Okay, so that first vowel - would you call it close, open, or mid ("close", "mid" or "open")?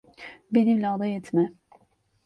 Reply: mid